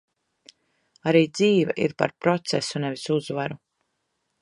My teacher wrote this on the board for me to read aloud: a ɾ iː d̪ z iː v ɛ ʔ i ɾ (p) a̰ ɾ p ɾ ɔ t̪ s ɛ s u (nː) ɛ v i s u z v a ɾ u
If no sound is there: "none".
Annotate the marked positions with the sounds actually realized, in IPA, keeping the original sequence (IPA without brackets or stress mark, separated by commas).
p, n